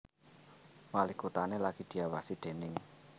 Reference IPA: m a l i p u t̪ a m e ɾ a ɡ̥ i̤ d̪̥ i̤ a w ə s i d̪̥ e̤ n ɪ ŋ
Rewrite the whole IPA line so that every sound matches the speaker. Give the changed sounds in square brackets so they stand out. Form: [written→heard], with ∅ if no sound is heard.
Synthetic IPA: m a l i [p→k] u t̪ a [m→n] e [ɾ→l] a ɡ̥ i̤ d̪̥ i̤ a w [ə→a] s i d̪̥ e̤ n ɪ ŋ